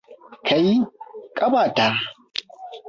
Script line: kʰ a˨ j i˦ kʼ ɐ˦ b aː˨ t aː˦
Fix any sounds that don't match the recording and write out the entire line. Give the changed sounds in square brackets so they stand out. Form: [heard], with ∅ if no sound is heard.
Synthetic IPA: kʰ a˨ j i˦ kʼ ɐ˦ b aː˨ t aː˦

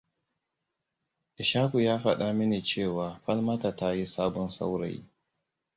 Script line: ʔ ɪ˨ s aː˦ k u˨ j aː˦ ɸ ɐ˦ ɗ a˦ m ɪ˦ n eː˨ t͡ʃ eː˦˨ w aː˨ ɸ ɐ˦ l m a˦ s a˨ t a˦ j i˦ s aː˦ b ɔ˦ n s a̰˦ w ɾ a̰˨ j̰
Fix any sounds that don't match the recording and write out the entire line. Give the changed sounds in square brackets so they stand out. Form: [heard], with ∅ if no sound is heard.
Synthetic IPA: ʔ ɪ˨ [ʃ] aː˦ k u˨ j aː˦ ɸ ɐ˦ ɗ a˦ m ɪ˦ n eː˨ t͡ʃ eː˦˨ w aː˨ ɸ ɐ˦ l m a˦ [t] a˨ t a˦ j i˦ s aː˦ b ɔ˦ n s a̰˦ w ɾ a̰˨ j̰

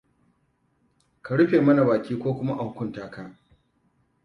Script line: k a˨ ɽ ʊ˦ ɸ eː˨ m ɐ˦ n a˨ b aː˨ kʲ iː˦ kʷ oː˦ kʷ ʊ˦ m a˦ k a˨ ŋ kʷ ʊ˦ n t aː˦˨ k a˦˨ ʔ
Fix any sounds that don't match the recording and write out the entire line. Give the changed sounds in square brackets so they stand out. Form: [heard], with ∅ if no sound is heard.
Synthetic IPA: k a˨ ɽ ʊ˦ ɸ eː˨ m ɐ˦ n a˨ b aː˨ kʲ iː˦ kʷ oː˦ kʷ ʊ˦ m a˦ [ʔ] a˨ ŋ kʷ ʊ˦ n t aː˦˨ k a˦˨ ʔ

